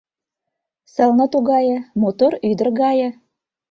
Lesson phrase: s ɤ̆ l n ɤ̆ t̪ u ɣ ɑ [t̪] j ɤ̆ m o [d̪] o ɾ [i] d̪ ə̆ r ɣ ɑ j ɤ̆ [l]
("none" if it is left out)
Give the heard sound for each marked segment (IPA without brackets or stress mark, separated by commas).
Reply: none, t̪, y, none